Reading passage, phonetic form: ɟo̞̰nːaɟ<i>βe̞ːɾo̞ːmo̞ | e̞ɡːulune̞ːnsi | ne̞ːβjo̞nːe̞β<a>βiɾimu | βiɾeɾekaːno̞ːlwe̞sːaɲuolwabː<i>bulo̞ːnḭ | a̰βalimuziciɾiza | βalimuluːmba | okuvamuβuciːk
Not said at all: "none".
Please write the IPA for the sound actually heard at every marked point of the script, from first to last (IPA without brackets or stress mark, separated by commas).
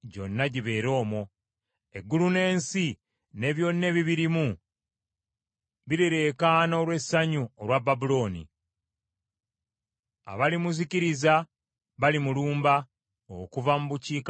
i, i, a